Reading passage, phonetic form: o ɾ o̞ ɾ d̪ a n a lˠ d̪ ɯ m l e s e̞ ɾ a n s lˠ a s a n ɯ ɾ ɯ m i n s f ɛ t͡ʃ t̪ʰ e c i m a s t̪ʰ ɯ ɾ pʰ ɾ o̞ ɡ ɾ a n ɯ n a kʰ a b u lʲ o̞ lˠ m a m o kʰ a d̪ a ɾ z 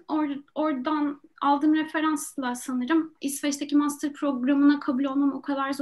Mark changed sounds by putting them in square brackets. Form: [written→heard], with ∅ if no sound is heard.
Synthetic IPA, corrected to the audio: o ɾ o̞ ɾ d̪ a n a lˠ d̪ ɯ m [l→ɾ] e [s→f] e̞ ɾ a n s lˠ a s a n ɯ ɾ ɯ m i [n→∅] s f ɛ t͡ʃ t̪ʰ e c i m a s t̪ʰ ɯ ɾ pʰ ɾ o̞ ɡ ɾ a [n→m] ɯ n a kʰ a b u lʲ o̞ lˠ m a m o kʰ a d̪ a ɾ z